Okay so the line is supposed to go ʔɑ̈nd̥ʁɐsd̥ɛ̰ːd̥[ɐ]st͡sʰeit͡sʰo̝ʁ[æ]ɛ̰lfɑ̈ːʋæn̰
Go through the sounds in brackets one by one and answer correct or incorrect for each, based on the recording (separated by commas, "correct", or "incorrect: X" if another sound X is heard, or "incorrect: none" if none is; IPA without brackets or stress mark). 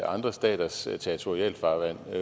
correct, incorrect: i